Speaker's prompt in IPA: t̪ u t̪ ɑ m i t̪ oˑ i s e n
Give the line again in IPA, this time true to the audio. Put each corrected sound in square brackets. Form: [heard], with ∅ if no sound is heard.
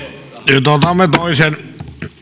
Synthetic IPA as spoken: t̪ [o] t̪ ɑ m [e] t̪ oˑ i s e n